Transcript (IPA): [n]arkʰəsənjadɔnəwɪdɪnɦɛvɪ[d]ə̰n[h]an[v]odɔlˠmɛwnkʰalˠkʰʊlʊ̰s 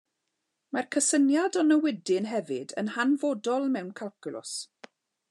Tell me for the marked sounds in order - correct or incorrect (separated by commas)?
incorrect, correct, correct, correct